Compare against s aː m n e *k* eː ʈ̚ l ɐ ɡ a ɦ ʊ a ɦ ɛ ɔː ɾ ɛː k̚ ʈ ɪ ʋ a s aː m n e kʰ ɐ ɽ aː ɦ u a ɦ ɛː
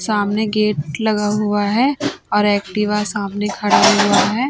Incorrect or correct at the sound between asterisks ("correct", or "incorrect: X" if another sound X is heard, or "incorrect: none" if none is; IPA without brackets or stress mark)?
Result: incorrect: ɡ